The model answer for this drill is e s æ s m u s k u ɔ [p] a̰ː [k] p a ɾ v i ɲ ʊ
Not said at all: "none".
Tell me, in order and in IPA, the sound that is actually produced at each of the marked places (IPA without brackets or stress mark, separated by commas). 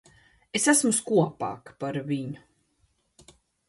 p, k